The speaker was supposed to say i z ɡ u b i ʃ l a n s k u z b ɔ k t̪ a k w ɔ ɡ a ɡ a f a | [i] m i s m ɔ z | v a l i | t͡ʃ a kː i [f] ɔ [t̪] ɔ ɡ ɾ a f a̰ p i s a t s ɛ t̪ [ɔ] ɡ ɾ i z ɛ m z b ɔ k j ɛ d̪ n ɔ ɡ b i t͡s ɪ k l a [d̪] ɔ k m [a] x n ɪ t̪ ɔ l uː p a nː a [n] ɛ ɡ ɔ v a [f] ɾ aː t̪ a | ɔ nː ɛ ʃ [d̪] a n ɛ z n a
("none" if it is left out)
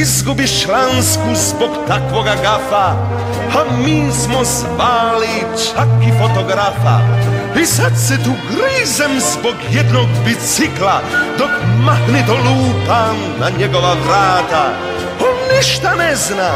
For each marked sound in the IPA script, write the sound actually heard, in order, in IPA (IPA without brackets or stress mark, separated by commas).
a, f, t̪, u, d̪, a, ɲ, v, t̪